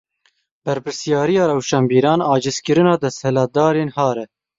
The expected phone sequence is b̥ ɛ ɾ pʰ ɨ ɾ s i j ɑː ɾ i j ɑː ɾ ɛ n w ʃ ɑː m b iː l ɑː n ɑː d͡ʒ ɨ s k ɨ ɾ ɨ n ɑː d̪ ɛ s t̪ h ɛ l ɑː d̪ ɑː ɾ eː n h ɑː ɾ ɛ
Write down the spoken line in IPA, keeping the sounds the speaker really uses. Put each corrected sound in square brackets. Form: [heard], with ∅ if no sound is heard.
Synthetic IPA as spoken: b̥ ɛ ɾ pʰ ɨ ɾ s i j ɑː ɾ i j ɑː ɾ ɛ [∅] w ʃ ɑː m b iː [ɾ] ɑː n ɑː d͡ʒ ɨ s k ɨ ɾ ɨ n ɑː d̪ ɛ s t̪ h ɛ l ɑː d̪ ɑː ɾ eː n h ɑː ɾ ɛ